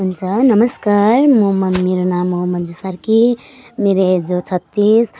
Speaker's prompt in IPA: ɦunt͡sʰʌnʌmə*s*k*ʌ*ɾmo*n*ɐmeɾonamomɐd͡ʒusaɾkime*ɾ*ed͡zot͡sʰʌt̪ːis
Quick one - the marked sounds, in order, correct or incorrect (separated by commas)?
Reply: correct, incorrect, incorrect, correct